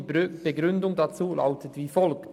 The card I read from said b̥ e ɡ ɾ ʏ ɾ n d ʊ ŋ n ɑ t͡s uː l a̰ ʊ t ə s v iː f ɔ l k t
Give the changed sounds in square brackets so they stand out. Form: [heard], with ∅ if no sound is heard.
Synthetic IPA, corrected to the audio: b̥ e ɡ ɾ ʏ [∅] n d ʊ ŋ [d] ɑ t͡s uː l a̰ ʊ t ə [t] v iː f ɔ l k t